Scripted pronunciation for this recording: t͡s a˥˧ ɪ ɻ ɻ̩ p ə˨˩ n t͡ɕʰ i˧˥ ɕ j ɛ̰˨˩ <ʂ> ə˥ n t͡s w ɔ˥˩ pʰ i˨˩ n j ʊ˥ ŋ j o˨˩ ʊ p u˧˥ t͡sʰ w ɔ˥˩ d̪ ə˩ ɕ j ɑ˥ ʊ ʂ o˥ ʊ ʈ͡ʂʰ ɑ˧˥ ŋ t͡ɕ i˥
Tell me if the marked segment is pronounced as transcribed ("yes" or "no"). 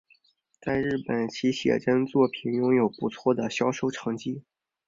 no